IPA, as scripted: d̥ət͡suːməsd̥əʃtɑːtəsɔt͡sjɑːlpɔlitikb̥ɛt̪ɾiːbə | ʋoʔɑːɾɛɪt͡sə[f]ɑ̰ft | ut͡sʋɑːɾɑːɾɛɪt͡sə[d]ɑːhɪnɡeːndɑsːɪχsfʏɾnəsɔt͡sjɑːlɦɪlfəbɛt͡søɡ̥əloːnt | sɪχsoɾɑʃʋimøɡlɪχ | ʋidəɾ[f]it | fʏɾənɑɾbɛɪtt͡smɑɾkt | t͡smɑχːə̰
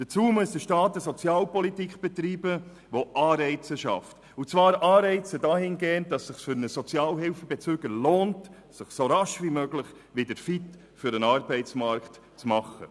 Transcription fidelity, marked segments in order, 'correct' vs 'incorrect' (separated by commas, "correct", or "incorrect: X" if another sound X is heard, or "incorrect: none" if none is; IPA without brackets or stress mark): incorrect: ʃ, correct, correct